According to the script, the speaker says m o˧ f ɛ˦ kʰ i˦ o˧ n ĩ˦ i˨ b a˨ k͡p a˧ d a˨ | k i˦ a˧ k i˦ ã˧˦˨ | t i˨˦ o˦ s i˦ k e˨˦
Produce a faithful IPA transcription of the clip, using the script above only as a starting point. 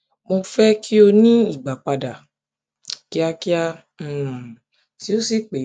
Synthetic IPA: m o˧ f ɛ˦ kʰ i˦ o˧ n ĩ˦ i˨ ɡ͡b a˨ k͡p a˧ d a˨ | k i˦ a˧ k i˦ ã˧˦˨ | t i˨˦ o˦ s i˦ k͡p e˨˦